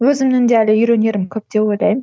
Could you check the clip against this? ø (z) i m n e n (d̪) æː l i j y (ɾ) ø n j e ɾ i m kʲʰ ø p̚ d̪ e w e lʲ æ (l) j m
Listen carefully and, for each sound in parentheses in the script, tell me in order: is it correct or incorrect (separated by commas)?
correct, correct, correct, incorrect